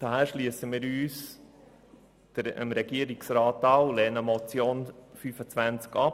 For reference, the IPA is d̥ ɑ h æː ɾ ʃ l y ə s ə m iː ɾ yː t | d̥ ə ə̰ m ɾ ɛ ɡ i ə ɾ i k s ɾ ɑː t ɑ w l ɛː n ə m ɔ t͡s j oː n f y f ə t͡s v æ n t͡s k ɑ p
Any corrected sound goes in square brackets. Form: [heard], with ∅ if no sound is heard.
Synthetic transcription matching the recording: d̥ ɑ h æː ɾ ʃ l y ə s ə m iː ɾ yː [s] | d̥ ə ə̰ m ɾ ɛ ɡ i ə ɾ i k s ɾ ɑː t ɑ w l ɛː n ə m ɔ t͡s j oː n f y f ə t͡s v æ n t͡s k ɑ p